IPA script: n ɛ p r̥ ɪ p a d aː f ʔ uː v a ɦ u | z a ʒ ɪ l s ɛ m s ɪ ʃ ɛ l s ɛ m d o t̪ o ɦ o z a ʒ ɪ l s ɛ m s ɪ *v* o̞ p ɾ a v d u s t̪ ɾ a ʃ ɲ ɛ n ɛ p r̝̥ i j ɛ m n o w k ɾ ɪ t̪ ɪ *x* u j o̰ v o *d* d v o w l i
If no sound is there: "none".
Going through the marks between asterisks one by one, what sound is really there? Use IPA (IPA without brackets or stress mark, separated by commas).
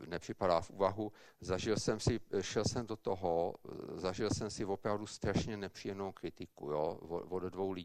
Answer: v, k, d